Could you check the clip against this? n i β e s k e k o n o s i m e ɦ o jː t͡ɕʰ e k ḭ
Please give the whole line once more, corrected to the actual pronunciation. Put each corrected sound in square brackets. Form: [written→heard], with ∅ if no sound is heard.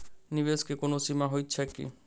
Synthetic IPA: n i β e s k e k o n o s i m [e→a] ɦ o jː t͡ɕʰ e k ḭ